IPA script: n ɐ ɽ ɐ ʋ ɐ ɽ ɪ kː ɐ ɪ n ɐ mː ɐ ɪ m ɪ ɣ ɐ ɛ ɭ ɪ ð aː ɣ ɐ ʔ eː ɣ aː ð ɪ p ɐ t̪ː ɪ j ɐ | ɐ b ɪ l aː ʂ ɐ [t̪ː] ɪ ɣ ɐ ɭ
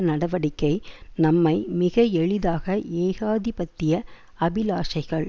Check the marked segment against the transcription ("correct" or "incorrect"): incorrect